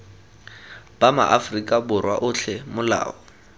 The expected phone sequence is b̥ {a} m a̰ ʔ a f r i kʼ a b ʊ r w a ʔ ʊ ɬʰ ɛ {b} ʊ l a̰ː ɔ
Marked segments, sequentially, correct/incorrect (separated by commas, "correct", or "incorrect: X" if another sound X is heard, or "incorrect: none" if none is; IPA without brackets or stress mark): correct, incorrect: m